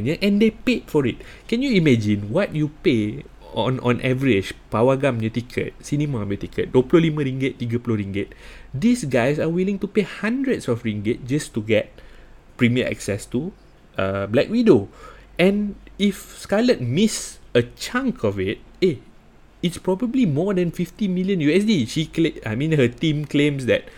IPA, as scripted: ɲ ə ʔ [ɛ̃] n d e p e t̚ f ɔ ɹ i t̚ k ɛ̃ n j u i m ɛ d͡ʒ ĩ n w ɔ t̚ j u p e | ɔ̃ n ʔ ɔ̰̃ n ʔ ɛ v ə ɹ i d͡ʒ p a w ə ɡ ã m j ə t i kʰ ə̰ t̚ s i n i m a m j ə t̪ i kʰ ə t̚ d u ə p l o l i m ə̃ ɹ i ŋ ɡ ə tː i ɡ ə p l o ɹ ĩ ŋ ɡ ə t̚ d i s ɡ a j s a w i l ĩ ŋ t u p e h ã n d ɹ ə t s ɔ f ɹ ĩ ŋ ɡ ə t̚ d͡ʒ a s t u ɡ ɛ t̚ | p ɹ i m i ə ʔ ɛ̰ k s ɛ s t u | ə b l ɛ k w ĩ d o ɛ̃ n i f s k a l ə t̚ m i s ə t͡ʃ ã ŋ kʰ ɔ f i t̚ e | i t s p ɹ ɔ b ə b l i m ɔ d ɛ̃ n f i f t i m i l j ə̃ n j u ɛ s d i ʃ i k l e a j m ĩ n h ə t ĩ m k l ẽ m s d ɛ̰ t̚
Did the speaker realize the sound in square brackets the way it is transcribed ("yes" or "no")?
yes